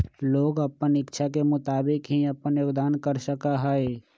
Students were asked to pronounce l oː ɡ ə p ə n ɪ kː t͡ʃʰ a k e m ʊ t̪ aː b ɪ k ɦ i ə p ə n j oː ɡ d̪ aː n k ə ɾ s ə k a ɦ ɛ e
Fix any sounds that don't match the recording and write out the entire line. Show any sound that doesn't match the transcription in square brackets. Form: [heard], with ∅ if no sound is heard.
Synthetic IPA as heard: l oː ɡ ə p ə n ɪ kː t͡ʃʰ a k e m ʊ t̪ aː b ɪ k ɦ i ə p ə n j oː ɡ d̪ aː n k ə ɾ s ə k a ɦ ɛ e